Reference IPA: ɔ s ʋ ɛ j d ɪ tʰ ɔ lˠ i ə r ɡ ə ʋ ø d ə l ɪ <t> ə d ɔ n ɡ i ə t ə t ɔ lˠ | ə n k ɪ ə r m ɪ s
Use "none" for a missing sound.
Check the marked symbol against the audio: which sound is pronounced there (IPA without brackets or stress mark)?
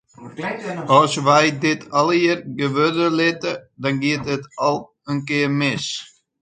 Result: t